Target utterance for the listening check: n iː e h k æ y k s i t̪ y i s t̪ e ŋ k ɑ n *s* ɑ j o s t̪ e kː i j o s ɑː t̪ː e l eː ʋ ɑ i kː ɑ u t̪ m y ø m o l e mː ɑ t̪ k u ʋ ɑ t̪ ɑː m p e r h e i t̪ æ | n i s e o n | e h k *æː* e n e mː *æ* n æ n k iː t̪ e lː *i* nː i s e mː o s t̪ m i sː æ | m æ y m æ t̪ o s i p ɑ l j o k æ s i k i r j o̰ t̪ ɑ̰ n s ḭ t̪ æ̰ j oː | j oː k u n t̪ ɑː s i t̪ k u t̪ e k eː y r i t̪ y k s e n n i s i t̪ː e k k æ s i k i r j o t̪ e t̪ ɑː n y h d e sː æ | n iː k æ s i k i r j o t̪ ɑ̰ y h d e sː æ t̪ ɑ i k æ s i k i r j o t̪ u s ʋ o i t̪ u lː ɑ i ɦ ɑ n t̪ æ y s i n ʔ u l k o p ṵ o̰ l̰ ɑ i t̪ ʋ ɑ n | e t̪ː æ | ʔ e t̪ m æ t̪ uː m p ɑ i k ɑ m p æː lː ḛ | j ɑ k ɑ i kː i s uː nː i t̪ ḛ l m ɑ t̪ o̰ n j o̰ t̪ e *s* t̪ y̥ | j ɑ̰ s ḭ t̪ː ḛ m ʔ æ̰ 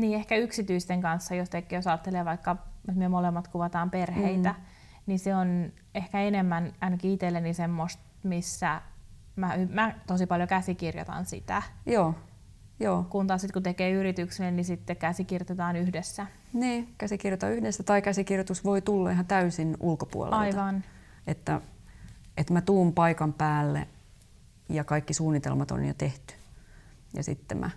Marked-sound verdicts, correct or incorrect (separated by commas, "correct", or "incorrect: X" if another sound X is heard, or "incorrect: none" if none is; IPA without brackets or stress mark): incorrect: sː, incorrect: æ, correct, incorrect: e, incorrect: h